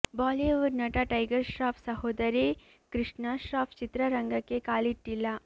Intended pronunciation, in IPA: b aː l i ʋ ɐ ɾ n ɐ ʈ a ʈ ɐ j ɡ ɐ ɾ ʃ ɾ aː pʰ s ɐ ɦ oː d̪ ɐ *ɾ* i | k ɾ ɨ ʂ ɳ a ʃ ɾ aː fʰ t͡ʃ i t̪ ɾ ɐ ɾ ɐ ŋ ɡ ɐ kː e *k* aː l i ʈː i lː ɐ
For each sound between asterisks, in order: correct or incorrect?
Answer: correct, correct

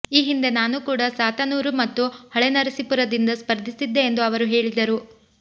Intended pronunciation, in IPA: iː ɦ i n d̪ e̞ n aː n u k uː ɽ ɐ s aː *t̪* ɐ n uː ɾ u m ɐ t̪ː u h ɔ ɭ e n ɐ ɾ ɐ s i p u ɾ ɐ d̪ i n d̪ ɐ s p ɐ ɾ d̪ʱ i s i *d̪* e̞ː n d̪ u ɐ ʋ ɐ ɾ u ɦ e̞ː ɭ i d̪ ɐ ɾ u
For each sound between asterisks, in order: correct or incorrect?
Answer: correct, incorrect: d̪ː

